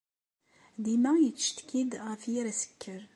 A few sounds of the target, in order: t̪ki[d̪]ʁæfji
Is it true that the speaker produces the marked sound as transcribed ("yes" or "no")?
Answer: yes